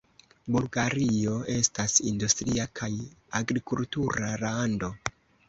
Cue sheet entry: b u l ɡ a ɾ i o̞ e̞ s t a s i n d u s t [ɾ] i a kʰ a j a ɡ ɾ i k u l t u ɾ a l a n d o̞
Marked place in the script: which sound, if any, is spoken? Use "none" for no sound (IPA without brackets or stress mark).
ɾ